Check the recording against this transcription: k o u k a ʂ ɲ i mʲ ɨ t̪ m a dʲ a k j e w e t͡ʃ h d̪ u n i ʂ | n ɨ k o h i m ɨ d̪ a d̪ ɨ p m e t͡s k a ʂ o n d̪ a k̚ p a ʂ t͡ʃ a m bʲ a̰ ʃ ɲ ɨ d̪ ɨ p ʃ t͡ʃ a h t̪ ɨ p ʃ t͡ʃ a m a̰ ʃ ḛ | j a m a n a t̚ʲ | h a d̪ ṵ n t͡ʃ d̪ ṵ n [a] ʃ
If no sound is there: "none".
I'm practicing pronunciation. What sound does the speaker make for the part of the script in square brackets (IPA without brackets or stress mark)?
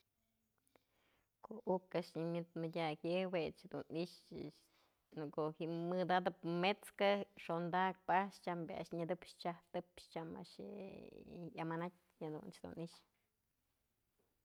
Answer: i